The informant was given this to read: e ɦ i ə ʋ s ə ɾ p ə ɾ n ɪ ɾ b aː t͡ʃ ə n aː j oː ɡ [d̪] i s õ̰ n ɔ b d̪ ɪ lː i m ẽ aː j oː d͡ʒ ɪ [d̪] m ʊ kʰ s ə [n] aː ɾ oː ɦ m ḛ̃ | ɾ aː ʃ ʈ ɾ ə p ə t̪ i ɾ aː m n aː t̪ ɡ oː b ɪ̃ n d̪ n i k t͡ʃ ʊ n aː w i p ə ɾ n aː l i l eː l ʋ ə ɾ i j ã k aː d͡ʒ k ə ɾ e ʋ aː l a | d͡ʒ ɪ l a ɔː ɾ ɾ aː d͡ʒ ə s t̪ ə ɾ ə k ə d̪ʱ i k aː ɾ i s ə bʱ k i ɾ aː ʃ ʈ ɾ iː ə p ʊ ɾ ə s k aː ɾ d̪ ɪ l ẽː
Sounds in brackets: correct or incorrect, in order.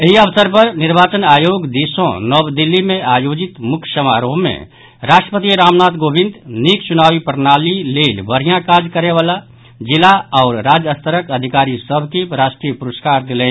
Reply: correct, incorrect, incorrect

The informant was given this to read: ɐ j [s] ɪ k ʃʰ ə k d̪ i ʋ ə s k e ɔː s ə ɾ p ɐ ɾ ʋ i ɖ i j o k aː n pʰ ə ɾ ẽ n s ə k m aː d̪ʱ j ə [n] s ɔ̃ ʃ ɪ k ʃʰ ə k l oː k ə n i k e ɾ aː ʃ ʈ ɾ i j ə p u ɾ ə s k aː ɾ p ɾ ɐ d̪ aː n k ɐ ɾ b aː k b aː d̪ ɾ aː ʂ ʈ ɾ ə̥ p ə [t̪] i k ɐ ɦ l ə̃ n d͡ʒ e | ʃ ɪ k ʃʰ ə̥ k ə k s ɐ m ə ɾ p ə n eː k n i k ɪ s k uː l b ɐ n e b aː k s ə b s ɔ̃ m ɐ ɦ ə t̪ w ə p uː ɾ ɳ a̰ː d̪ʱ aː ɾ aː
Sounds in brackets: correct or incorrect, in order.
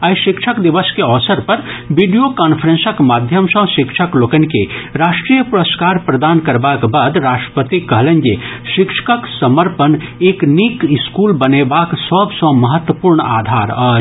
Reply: incorrect, incorrect, correct

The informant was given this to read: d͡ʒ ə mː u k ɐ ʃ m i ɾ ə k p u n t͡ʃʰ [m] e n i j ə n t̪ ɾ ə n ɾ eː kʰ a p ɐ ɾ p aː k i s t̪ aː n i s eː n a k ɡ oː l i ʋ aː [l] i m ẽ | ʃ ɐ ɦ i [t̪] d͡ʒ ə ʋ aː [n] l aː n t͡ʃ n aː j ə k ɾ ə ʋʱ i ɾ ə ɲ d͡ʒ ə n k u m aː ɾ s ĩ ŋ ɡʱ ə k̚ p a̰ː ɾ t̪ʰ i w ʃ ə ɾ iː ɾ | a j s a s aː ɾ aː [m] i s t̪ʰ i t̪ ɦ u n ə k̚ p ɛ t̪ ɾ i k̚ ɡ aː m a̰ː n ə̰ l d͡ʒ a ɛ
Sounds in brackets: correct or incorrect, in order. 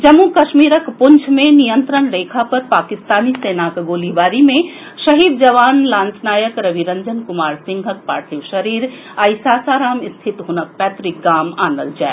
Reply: correct, incorrect, incorrect, correct, correct

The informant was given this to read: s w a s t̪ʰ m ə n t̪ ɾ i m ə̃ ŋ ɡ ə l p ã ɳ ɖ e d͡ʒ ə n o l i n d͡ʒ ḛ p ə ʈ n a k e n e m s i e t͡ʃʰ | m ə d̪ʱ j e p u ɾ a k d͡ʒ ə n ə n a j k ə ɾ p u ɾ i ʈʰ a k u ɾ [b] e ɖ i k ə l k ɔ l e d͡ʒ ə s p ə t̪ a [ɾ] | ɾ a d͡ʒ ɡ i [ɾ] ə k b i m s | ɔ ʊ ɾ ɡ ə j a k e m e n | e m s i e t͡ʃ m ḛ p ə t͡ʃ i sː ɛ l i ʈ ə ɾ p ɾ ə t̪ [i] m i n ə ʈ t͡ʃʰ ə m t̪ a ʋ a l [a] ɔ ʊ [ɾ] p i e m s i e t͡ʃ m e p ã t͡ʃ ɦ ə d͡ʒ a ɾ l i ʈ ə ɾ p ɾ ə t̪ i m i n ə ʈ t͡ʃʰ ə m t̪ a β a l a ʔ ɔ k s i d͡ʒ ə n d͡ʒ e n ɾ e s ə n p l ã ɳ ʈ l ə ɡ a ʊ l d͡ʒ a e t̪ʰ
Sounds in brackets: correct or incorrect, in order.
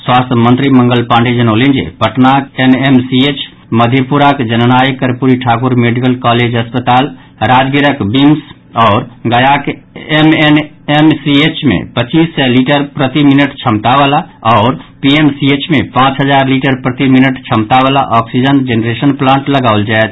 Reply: incorrect, incorrect, correct, correct, correct, correct

